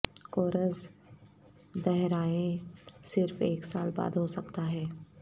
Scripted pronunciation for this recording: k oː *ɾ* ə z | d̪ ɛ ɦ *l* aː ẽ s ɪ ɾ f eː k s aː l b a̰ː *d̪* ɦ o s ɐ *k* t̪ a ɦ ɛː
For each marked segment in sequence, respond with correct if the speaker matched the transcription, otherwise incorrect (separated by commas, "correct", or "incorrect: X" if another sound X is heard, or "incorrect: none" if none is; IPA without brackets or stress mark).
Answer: correct, incorrect: ɾ, correct, correct